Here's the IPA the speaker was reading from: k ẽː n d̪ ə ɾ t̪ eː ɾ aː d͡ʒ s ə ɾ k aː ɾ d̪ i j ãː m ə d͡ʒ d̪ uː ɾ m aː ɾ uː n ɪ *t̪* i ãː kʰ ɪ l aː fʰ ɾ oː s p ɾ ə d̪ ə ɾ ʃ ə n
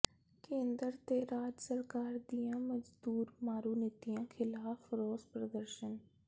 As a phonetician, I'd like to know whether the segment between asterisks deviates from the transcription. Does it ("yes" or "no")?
no